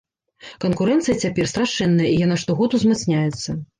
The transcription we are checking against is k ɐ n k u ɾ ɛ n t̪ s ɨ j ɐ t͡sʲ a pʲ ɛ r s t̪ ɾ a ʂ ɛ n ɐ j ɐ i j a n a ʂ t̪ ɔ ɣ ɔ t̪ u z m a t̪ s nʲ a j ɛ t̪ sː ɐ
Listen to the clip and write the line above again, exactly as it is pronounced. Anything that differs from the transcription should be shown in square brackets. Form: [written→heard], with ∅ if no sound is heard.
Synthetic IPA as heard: k ɐ n k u ɾ ɛ n t̪ s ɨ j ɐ t͡sʲ a pʲ ɛ r s t̪ ɾ a ʂ ɛ [n→nː] ɐ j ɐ i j a n a ʂ t̪ ɔ ɣ ɔ t̪ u z m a t̪ s nʲ a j ɛ t̪ sː ɐ